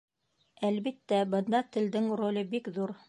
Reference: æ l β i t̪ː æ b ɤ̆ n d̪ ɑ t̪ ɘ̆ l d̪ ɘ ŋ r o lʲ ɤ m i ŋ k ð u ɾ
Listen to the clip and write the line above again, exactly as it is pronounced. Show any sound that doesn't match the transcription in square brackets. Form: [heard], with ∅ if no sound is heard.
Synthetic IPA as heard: æ l β i t̪ː æ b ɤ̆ n d̪ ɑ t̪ ɘ̆ l d̪ ɘ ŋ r o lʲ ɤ [b] i [∅] k ð u ɾ